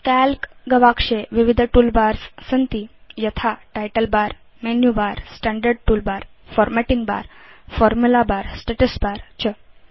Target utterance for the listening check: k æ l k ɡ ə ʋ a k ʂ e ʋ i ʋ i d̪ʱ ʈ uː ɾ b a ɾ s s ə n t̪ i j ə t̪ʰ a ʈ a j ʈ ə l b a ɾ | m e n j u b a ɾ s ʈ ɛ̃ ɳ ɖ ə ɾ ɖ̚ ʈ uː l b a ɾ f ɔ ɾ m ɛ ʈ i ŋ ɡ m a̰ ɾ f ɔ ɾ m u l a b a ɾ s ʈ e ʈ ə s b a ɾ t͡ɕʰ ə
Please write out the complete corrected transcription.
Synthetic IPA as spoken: k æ l k ɡ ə ʋ a k ʂ e ʋ i ʋ i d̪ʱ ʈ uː l b a ɾ s s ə n t̪ i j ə t̪ʰ a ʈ a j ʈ ə l b a ɾ | m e n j u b a ɾ s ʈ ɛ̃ ɳ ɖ ə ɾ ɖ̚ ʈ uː l b a ɾ f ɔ ɾ m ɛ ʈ i ŋ ɡ b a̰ ɾ f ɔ ɾ m u l a b a ɾ s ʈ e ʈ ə s b a ɾ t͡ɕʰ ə